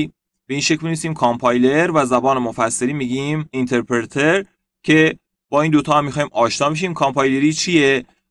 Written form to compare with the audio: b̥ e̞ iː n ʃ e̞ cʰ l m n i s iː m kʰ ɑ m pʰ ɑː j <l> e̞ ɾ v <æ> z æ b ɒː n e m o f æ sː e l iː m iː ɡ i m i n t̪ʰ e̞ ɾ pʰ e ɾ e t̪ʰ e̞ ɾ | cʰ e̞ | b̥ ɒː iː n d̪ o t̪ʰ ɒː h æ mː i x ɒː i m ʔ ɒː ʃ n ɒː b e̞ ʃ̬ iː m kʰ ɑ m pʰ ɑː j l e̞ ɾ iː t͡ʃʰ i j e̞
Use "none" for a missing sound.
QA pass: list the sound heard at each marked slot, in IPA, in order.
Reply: l, æ

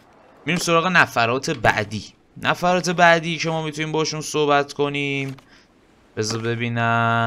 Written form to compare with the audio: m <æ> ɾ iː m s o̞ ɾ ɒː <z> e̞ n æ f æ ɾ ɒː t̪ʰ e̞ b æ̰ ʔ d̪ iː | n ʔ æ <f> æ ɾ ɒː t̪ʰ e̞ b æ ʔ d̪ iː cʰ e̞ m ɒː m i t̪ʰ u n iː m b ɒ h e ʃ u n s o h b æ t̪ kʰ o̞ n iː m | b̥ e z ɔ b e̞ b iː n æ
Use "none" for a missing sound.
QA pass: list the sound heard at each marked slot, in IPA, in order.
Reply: i, ɣ, f

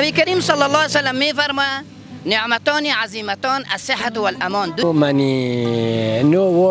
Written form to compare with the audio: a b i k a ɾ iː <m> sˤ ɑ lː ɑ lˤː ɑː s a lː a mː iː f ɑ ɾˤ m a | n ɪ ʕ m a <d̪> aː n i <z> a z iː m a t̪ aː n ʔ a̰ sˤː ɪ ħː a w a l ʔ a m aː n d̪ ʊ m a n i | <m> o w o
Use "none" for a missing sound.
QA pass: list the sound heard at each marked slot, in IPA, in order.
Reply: m, t̪, ʕ, n

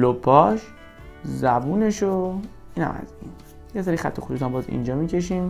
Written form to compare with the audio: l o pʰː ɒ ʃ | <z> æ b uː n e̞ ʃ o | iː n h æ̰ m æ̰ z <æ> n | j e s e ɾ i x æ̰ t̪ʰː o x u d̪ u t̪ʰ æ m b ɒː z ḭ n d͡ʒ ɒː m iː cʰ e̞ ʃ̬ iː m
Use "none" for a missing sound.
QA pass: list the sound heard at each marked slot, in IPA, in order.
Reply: z, i

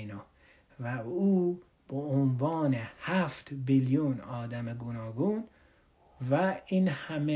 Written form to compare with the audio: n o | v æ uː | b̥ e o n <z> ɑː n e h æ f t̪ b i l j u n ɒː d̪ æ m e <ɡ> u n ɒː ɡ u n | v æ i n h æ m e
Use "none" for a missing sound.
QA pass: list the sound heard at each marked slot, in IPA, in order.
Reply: v, ɡ

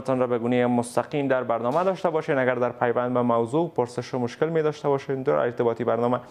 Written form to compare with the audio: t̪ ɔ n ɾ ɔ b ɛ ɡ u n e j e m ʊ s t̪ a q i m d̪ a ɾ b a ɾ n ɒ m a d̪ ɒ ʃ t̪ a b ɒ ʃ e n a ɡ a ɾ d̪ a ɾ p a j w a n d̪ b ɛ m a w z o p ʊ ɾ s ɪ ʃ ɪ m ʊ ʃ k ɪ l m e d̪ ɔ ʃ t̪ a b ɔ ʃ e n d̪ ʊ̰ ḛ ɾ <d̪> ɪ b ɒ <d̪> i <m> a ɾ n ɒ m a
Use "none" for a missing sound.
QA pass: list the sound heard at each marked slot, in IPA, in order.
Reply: t̪, t̪, b

